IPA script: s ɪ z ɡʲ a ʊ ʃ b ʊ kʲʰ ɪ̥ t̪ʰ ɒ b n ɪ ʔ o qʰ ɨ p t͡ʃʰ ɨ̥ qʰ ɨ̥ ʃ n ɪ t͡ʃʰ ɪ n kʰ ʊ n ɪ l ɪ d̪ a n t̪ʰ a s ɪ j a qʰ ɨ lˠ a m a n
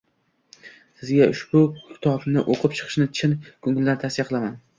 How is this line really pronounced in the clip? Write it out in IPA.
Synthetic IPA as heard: s ɪ z ɡʲ a ʊ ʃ b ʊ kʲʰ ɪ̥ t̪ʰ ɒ b n ɪ ʔ o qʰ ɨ p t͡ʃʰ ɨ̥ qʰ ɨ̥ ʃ n ɪ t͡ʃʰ ɪ n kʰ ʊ ŋ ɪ l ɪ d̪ a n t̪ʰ a s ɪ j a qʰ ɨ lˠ a m a n